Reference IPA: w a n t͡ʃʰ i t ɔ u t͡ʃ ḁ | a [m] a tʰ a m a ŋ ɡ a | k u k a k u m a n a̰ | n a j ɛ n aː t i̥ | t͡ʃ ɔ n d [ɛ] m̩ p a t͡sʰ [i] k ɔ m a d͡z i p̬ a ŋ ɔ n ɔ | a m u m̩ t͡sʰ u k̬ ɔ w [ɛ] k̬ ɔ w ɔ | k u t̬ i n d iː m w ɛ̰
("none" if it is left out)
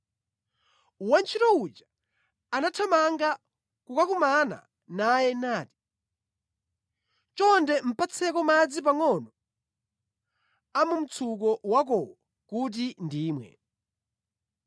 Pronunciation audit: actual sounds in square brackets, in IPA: n, ɛ, ɛ, a

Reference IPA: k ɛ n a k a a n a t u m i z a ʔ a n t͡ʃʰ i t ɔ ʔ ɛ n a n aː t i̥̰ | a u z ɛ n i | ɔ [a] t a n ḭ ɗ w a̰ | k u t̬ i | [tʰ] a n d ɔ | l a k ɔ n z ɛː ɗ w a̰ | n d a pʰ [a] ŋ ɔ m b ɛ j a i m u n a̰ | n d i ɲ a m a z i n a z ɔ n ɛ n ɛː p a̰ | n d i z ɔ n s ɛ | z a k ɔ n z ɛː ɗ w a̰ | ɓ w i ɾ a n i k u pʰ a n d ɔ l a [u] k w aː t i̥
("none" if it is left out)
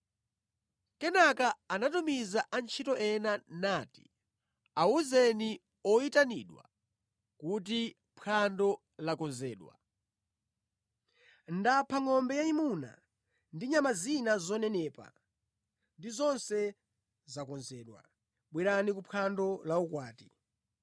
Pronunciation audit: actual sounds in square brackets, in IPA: i, pʰ, a, u

